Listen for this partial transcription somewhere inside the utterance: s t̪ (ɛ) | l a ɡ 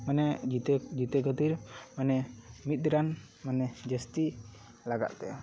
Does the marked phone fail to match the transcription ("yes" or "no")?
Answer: yes